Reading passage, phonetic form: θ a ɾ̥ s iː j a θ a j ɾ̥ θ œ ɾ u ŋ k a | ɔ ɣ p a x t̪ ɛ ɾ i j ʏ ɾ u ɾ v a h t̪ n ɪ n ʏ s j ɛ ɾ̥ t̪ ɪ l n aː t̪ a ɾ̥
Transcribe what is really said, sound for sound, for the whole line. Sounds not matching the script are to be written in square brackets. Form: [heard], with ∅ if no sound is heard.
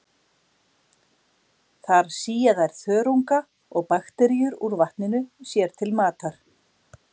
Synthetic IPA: θ a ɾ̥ s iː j a [ð] a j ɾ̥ θ [œː] ɾ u ŋ k a | ɔ ɣ p a x t̪ ɛ ɾ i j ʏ ɾ u ɾ v a h t̪ n ɪ n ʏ s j ɛ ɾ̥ [t̪ʰ] ɪ l [m] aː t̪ a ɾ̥